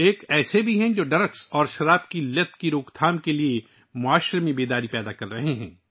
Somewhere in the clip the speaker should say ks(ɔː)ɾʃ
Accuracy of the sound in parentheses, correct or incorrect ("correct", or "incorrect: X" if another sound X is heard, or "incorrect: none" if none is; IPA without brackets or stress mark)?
correct